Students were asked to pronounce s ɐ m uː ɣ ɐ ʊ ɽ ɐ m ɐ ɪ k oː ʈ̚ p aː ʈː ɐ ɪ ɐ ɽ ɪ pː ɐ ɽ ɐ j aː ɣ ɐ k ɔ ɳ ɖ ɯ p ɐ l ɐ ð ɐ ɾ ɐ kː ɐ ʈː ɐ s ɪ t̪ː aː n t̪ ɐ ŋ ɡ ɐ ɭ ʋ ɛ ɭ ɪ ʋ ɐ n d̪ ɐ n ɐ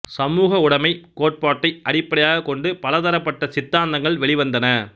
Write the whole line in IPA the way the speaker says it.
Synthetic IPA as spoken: s ɐ m uː ɣ ɐ ʊ ɽ ɐ m ɐ ɪ k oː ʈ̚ p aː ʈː ɐ ɪ ɐ ɽ ɪ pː ɐ ɽ ɐ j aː ɣ ɐ k ɔ ɳ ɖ ɯ p ɐ l ɐ ð ɐ ɾ ɐ pː ɐ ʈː ɐ s ɪ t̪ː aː n d̪ ɐ ŋ ɡ ɐ ɭ ʋ ɛ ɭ ɪ ʋ ɐ n d̪ ɐ n ɐ